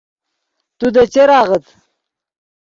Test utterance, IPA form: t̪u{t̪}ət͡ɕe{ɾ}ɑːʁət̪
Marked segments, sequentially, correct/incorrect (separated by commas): incorrect, correct